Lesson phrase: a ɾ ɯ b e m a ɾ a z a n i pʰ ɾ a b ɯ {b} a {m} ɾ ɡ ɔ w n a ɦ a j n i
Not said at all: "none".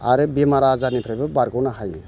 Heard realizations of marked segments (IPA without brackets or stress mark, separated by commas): b, none